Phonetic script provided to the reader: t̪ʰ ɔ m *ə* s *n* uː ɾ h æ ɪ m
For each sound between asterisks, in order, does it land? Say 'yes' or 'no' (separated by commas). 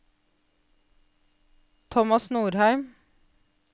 no, yes